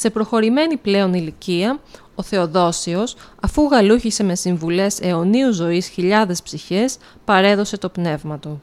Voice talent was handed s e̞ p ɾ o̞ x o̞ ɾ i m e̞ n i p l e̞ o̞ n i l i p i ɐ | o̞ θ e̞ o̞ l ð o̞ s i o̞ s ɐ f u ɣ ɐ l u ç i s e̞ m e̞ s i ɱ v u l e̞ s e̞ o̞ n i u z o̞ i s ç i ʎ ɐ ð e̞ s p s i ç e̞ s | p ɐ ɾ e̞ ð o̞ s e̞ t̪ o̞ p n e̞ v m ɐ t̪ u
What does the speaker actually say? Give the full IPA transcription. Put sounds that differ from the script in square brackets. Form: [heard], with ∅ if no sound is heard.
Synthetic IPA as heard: s e̞ p ɾ o̞ x o̞ ɾ i m e̞ n i p l e̞ o̞ n i l i [c] i ɐ | o̞ θ e̞ o̞ [∅] ð o̞ s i o̞ s ɐ f u ɣ ɐ l u ç i s e̞ m e̞ s i ɱ v u l e̞ s e̞ o̞ n i u z o̞ i s ç i ʎ ɐ ð e̞ s p s i ç e̞ s | p ɐ ɾ e̞ ð o̞ s e̞ t̪ o̞ p n e̞ v m ɐ t̪ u